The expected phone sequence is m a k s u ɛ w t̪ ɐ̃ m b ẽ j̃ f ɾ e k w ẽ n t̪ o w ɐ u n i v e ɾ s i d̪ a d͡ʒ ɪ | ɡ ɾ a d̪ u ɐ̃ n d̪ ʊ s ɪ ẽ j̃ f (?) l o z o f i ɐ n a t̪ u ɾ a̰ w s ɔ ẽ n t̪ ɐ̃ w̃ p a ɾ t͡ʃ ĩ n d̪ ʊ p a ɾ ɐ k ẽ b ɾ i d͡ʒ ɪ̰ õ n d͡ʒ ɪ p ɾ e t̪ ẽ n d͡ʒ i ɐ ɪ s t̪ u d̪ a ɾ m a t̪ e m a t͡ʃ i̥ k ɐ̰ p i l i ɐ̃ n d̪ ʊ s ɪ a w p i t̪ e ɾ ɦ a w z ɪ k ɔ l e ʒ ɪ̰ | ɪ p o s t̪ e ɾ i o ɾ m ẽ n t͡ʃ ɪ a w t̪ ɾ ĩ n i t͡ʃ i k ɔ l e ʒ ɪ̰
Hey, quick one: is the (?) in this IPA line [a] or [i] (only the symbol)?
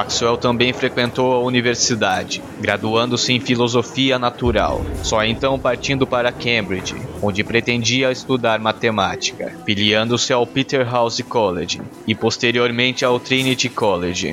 i